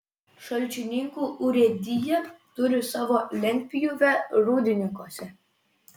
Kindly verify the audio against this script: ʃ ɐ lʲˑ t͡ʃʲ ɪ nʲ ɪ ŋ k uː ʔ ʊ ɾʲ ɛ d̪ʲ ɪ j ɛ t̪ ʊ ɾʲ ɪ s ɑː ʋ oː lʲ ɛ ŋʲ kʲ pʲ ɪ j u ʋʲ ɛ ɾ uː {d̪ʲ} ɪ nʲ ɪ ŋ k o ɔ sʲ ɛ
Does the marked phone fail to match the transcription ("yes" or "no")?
no